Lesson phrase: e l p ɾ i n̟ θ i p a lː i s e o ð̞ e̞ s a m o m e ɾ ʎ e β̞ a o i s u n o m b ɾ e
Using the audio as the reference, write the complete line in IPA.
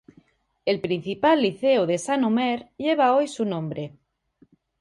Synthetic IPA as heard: e l p ɾ i n̟ θ i p a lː i θ e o ð̞ e̞ s a n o m e ɾ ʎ e β̞ a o j s u n õ m b ɾ e